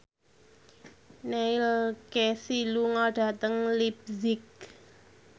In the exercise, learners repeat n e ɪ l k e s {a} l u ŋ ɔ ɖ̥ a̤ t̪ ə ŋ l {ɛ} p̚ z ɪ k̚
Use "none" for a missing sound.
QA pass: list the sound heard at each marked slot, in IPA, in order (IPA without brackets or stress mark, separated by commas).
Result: i, i